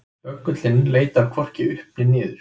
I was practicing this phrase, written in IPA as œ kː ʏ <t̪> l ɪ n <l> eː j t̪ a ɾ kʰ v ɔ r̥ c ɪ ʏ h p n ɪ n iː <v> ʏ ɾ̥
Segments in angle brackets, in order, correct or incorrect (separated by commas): correct, correct, incorrect